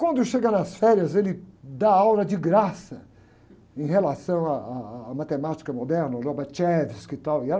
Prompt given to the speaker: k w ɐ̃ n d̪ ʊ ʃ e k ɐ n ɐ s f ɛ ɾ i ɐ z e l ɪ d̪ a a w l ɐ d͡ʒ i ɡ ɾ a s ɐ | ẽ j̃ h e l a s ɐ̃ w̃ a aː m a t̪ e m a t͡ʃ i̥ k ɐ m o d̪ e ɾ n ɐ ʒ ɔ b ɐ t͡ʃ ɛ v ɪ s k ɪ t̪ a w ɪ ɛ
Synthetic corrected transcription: k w ɐ̃ n d̪ ʊ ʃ e ɡ ɐ n ɐ s f ɛ ɾ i ɐ z e l ɪ d̪ a a w l ɐ d͡ʒ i ɡ ɾ a s ɐ | ẽ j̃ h e l a s ɐ̃ w̃ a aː m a t̪ e m a t͡ʃ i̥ k ɐ m o d̪ ɛ ɾ n ɐ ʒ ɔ b ɐ t͡ʃ ɛ v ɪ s k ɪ t̪ a w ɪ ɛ

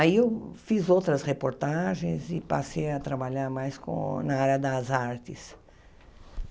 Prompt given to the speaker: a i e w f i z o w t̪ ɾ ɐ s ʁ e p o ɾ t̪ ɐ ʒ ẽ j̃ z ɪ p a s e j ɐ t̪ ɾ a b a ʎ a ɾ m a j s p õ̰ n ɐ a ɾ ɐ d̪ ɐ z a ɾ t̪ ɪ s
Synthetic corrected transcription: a i e w f i z o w t̪ ɾ ɐ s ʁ e p o ɾ t̪ a ʒ ẽ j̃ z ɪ p a s e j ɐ t̪ ɾ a b a ʎ a ɾ m a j s k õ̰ n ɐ a ɾ ɐ d̪ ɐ z a ɾ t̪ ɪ s

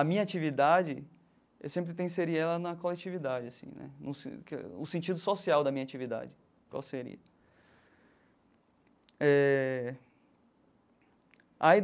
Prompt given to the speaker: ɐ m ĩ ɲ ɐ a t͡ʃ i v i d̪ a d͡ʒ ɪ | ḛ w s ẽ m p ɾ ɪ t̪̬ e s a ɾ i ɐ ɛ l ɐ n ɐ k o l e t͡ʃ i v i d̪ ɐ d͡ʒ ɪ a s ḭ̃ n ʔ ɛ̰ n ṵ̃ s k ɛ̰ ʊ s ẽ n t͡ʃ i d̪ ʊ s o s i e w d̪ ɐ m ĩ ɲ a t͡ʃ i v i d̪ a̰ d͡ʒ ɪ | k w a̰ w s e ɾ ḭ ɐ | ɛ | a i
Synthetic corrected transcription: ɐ m ĩ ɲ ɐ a t͡ʃ i v i d̪ a d͡ʒ ɪ | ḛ w s ẽ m p ɾ ɪ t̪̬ ẽ s e ɾ i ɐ ɛ l ɐ n ɐ k o l e t͡ʃ i v i d̪ a d͡ʒ ɪ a s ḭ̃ n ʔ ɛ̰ n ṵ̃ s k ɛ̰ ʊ s ẽ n t͡ʃ i d̪ ʊ s o s i a w d̪ ɐ m ĩ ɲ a t͡ʃ i v i d̪ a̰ d͡ʒ ɪ | k w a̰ w s e ɾ ḭ ɐ | ɛ | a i

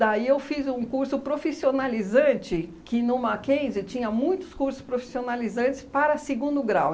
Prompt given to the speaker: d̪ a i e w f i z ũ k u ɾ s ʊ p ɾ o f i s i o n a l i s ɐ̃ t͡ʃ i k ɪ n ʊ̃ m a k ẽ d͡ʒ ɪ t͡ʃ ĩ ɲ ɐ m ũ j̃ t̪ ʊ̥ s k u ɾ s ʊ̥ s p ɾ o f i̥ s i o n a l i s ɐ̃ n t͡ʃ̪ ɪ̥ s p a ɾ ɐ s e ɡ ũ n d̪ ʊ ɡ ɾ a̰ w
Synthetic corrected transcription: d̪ a i e w f i z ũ k u ɾ s ʊ p ɾ o f i s i o n a l i z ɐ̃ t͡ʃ ɪ k ɪ n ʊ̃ m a k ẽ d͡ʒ ɪ t͡ʃ ĩ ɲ ɐ m ũ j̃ t̪ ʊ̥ s k u ɾ s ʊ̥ s p ɾ o f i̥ s i o n a l i z ɐ̃ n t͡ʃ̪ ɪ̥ s p a ɾ ɐ s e ɡ ũ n d̪ ʊ ɡ ɾ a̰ w

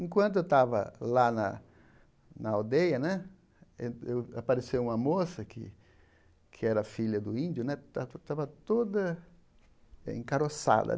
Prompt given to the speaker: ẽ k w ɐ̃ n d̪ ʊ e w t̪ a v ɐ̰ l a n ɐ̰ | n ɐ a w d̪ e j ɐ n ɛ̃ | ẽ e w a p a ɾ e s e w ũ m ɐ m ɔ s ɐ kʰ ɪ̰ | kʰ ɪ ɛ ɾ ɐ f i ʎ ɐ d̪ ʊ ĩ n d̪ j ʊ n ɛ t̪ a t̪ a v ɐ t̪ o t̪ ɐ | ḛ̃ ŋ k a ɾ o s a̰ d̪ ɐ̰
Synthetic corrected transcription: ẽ k w ɐ̃ n t̪ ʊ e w t̪ a v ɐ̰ l a n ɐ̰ | n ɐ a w d̪ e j ɐ n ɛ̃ | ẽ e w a p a ɾ e s e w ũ m ɐ m o s ɐ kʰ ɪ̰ | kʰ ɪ ɛ ɾ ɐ f i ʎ ɐ d̪ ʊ ĩ n d̪ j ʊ n ɛ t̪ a t̪ a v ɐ t̪ o d̪ ɐ | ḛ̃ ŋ k a ɾ o s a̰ d̪ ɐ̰

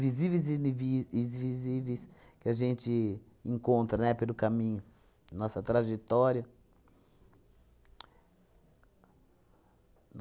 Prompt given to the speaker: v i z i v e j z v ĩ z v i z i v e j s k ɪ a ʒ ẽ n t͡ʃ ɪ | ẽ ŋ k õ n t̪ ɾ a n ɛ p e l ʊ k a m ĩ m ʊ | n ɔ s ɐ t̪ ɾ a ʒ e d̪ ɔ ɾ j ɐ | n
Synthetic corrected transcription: v i z i v e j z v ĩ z v i z i v e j s k ɪ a ʒ ẽ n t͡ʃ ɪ | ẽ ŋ k õ n t̪ ɾ ɐ n ɛ p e l ʊ k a m ĩ ɲ ʊ | n ɔ s ɐ t̪ ɾ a ʒ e t̪ ɔ ɾ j ɐ | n

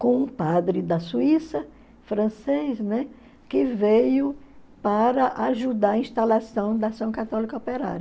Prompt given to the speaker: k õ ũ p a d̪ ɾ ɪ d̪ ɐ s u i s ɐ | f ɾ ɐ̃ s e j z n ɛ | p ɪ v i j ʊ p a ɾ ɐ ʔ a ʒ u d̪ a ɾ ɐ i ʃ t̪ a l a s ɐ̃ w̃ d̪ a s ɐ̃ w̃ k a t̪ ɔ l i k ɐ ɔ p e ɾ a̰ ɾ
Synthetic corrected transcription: k õ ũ p a d̪ ɾ ɪ d̪ ɐ s u i s ɐ | f ɾ ɐ̃ s e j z n ɛ | k ɪ v e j ʊ p a ɾ ɐ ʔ a ʒ u d̪ a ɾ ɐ ĩ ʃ t̪ a l a s ɐ̃ w̃ d̪ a s ɐ̃ w̃ k a t̪ ɔ l i k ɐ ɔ p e ɾ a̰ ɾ

